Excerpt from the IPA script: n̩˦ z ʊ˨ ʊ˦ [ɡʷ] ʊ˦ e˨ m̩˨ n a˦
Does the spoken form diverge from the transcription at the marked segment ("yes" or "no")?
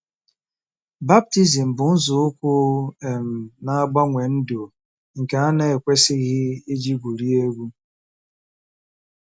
yes